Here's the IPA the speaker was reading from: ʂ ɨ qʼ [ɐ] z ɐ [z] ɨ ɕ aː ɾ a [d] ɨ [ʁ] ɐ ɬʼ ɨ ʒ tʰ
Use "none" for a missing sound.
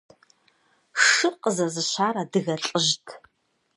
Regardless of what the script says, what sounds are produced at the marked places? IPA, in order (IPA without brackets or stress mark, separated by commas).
ə, z, d, ɣ